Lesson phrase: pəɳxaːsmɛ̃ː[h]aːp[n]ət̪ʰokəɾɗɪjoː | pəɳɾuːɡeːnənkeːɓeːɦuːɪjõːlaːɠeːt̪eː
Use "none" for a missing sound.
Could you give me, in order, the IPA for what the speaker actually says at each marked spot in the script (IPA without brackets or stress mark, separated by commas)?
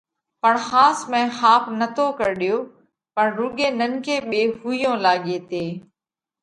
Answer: x, n